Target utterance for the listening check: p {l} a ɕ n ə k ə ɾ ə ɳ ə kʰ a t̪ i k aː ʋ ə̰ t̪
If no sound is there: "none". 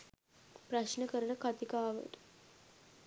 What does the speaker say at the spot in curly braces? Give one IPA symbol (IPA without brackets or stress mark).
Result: ɾ